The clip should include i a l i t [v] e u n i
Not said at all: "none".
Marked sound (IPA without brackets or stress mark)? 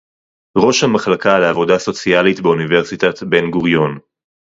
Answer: b